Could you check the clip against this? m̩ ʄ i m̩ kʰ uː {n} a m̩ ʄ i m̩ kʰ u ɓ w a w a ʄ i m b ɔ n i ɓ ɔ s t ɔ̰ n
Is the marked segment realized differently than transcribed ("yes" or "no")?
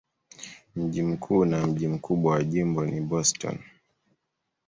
no